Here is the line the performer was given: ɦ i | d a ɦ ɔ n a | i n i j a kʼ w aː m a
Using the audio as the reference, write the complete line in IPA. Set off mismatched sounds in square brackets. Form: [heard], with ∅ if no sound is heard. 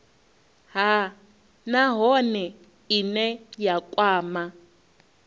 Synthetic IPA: ɦ [a] | [n] a ɦ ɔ n [ɛ] | i n [ɛ] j a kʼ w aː m a